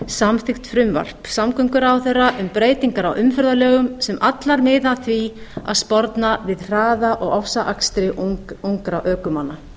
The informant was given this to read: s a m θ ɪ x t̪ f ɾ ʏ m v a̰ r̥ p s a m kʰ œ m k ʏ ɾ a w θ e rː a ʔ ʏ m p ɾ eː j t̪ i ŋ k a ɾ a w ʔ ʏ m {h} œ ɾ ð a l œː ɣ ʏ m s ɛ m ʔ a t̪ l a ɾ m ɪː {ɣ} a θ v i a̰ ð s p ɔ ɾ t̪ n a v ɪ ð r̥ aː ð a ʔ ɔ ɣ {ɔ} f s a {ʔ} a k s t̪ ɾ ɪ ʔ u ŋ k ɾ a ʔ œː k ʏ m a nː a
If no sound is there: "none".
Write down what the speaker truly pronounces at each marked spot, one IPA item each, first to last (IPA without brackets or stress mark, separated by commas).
f, ð, ɔ, ʔ